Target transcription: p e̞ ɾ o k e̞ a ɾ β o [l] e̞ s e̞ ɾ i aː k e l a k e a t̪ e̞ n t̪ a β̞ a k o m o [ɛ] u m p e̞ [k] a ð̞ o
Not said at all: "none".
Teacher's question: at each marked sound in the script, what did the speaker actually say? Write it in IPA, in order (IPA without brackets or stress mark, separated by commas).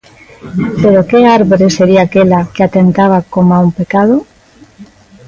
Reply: ɾ, a, k